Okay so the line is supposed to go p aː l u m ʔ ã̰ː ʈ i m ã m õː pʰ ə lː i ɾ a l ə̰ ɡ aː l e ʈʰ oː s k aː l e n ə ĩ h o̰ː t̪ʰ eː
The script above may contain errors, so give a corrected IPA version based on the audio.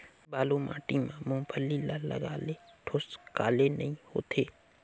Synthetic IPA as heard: b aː l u m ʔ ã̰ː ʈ i m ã m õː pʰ ə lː i l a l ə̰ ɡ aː l e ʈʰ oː s k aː l e n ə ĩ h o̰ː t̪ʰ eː